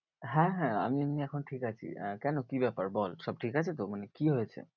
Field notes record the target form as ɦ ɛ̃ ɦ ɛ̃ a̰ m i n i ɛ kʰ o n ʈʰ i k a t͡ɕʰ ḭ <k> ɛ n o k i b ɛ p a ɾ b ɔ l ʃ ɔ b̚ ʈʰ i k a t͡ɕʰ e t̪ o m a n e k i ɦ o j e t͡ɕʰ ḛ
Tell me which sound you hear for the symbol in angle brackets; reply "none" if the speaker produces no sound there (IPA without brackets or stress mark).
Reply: k